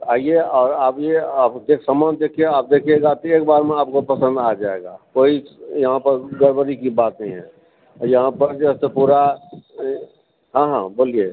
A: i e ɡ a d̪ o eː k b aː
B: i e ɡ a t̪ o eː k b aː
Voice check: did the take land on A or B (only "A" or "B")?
B